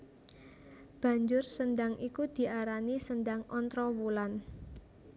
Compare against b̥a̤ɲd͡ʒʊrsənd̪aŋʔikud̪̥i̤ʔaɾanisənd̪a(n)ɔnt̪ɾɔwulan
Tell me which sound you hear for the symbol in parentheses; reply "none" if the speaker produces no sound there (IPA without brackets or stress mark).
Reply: ŋ